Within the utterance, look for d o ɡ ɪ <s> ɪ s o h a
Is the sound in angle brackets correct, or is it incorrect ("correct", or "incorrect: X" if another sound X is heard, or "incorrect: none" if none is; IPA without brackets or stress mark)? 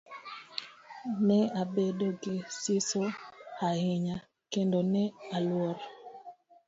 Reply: correct